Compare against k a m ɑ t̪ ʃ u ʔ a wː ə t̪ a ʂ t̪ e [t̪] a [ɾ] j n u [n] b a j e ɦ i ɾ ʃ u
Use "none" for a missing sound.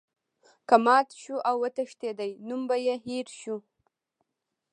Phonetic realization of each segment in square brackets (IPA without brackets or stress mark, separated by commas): d̪, none, m